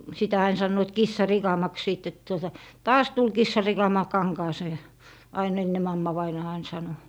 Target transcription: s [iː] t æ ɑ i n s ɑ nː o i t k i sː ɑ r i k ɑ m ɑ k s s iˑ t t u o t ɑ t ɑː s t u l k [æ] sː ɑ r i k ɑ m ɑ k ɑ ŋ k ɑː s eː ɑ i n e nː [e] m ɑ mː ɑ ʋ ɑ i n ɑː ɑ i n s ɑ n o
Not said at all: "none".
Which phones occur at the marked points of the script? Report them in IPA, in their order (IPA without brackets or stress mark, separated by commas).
i, i, e